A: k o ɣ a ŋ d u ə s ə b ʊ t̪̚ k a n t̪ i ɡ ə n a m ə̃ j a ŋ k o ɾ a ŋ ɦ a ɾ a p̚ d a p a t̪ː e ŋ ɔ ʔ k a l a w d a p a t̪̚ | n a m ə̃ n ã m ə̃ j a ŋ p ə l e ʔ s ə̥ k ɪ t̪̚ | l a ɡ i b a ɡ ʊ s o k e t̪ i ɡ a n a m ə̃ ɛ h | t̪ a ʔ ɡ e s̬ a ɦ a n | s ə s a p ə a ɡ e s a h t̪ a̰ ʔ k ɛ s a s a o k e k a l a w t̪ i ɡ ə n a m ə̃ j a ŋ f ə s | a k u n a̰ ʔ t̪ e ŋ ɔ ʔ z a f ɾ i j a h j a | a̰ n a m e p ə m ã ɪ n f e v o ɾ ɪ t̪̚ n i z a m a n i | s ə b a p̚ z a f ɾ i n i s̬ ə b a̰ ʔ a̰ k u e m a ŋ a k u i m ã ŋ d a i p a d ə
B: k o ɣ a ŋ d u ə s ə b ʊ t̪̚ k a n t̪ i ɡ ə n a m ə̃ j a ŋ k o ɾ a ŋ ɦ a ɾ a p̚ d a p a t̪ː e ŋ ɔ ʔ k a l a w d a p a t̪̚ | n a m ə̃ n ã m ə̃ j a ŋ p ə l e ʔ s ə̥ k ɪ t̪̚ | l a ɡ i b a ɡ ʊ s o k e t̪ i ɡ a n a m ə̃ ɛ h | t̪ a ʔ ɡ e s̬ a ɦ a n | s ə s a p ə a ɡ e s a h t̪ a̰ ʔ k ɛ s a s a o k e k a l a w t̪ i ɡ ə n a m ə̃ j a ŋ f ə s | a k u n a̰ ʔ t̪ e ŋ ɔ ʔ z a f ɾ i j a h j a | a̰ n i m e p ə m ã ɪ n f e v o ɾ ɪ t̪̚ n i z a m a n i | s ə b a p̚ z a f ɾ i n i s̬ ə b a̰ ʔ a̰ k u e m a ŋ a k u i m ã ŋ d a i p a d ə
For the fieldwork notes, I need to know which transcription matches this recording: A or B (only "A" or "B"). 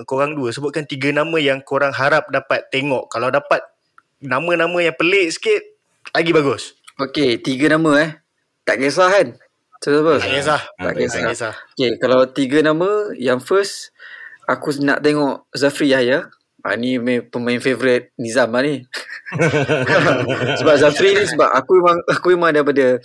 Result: B